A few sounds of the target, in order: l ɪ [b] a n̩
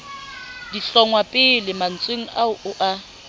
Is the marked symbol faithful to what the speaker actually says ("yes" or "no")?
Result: no